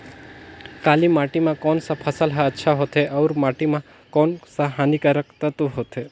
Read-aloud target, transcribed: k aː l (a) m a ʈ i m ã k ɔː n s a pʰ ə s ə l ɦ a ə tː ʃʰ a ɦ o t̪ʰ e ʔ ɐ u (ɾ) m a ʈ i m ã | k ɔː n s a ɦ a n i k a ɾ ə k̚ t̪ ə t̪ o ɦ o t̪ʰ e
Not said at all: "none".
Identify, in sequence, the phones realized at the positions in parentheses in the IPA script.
i, ɾ

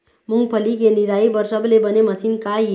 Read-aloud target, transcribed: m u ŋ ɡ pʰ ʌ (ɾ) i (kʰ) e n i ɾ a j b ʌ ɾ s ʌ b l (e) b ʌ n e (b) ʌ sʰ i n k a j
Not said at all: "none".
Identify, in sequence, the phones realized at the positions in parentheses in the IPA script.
l, k, e, m

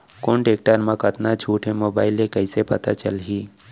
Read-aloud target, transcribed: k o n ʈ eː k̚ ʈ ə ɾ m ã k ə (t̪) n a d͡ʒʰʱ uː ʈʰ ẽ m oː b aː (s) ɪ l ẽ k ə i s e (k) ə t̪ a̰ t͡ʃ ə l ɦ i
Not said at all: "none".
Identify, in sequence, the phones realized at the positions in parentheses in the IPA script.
t̪, none, p

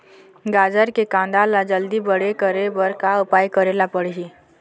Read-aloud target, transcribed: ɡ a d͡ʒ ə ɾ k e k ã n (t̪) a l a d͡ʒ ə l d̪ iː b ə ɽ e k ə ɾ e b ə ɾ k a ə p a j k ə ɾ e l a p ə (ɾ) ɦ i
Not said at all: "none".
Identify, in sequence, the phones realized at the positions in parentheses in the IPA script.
d̪, ɽ

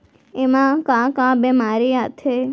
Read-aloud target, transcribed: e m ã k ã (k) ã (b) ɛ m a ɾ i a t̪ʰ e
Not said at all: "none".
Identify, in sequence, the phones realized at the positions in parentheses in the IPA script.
k, b

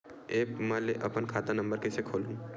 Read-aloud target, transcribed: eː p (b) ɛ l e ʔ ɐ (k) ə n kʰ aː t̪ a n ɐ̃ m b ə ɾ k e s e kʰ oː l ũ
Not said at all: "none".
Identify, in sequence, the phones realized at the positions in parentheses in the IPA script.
m, p

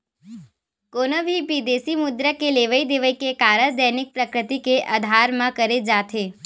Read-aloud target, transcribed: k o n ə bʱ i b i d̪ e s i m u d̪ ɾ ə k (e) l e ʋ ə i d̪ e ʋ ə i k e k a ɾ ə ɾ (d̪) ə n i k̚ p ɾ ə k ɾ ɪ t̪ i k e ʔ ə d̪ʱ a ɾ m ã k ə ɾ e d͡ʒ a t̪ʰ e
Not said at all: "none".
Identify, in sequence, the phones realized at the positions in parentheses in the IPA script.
e, d̪

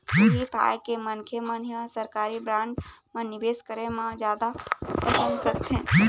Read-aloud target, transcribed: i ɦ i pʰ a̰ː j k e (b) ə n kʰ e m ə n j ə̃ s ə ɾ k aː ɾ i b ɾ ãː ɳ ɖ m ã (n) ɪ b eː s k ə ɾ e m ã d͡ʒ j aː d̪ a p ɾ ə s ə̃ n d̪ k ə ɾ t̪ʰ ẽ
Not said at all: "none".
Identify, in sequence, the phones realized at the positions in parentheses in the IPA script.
m, n

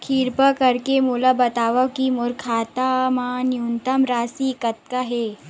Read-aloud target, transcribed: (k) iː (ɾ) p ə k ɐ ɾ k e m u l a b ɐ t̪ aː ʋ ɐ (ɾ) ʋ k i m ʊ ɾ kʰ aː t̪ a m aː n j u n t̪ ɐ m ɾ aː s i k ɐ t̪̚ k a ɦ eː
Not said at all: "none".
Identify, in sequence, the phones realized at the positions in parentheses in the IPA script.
kʰ, ɾ, none

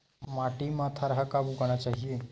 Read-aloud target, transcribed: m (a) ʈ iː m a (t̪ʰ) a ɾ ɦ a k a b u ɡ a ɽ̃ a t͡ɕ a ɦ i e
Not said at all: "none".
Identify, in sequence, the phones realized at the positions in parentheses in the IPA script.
a, t̪ʰ

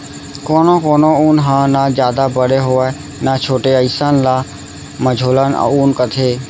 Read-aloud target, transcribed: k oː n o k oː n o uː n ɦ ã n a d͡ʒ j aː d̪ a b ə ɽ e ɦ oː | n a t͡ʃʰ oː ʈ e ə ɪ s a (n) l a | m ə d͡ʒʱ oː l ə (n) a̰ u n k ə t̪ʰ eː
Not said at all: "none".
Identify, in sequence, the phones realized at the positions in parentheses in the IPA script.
n, n

